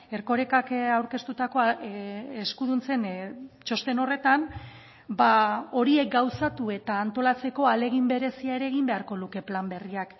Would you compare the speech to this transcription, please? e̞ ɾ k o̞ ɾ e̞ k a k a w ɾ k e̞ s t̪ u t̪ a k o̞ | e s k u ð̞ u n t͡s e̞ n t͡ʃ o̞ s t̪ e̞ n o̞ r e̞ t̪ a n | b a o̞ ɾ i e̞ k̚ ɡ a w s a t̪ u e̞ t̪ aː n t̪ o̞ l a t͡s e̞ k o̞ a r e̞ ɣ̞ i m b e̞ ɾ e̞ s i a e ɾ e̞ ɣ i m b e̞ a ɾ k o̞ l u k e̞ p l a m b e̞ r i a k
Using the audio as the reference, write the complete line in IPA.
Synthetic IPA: e̞ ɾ k o̞ ɾ e̞ k a k a w ɾ k e̞ s t̪ u t̪ a k o̞ | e s k u ð̞ u n t͡s e̞ n t͡ʃ o̞ s t̪ e̞ n o̞ r e̞ t̪ a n | b a o̞ ɾ i e̞ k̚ ɡ a w s a t̪ u e̞ t̪ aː n t̪ o̞ l a t͡s e̞ k o̞ a l e̞ ɣ̞ i m b e̞ ɾ e̞ s i a e ɾ e̞ ɣ i m b e̞ a ɾ k o̞ l u k e̞ p l a m b e̞ r i a k